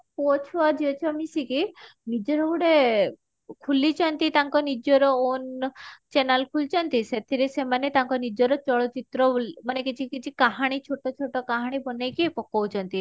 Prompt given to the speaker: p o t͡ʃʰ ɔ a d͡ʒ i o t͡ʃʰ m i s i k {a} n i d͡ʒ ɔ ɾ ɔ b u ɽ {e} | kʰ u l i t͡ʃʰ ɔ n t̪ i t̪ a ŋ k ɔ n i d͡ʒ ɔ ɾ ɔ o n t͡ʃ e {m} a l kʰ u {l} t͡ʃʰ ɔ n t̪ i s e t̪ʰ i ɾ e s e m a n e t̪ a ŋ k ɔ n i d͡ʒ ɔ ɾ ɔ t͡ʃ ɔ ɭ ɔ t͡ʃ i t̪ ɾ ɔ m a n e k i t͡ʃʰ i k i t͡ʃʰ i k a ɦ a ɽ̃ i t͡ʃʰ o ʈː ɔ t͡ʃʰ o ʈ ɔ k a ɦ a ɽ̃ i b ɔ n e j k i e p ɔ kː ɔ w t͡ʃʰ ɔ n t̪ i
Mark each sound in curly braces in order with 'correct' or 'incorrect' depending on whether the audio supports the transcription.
incorrect, correct, incorrect, correct

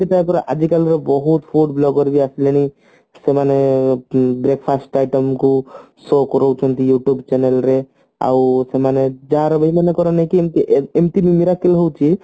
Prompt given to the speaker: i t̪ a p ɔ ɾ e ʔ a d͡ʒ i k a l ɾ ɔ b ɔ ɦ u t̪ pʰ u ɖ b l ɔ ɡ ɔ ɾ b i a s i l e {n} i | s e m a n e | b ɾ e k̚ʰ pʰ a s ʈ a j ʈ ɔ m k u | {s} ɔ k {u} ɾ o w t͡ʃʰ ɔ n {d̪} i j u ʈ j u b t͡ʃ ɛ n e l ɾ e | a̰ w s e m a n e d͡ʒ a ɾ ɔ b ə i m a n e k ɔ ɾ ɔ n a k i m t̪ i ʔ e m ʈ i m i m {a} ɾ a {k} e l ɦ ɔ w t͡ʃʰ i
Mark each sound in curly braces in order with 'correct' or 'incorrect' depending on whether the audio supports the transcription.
correct, correct, incorrect, incorrect, incorrect, correct

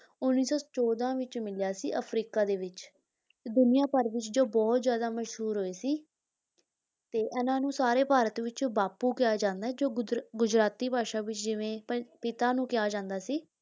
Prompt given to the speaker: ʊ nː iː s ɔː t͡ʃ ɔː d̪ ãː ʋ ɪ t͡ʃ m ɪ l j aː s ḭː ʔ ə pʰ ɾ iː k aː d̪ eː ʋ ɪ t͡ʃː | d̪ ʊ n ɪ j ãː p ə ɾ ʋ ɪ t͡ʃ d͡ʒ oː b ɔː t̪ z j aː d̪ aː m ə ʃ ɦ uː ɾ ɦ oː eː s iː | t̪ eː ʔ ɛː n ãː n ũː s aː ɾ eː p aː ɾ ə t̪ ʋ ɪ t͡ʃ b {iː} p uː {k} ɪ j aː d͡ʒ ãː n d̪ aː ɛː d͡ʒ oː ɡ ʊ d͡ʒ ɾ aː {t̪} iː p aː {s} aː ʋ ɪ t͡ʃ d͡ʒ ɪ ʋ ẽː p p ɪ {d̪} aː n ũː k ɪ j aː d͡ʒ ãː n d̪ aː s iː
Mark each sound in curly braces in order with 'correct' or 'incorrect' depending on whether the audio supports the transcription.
incorrect, correct, correct, incorrect, incorrect

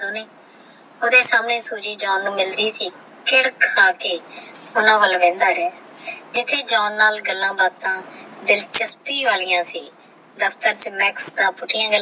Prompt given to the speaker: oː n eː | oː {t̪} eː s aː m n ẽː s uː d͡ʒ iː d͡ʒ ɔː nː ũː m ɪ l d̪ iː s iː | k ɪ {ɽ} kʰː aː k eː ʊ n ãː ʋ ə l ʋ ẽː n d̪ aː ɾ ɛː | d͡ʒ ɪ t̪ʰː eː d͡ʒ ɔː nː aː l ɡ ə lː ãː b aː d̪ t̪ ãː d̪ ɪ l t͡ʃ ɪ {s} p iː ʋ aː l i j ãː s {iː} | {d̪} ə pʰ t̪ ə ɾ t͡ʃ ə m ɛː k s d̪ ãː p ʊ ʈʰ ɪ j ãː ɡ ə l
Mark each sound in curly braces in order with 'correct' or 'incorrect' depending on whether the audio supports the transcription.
incorrect, correct, correct, correct, correct

